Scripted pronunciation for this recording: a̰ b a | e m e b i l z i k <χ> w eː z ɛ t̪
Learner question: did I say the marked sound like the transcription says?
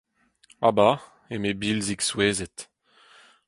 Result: no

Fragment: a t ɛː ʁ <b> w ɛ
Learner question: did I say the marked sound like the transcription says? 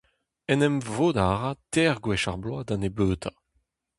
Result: no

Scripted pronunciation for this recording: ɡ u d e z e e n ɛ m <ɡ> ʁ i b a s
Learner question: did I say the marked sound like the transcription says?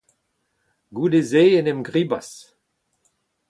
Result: yes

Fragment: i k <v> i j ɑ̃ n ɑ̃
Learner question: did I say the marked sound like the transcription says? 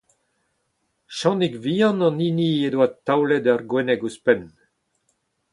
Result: yes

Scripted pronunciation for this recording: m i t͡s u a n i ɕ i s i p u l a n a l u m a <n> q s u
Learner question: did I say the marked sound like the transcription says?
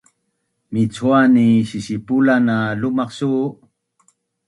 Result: no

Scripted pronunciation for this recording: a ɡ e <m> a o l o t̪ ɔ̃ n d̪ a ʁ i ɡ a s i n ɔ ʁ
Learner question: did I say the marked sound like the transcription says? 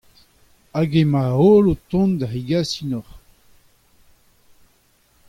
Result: yes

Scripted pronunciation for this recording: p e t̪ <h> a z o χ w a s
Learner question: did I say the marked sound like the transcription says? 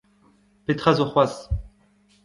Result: no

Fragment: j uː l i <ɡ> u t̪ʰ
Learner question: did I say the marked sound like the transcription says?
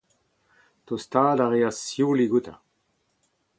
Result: yes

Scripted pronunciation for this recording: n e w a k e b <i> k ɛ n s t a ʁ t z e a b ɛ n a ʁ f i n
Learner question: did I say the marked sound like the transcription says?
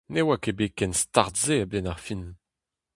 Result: no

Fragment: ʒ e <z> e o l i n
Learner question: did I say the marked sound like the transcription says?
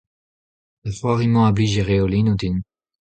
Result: no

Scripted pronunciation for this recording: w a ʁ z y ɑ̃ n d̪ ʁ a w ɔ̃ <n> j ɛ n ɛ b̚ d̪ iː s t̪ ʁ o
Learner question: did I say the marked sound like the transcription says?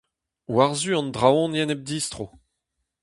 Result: yes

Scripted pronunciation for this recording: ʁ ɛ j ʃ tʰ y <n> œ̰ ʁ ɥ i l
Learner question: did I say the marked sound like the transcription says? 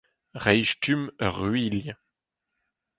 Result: no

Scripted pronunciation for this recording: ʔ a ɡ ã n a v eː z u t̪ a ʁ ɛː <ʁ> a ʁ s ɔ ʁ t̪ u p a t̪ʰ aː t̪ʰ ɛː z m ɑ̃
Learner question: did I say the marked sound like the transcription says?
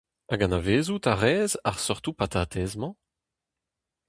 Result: no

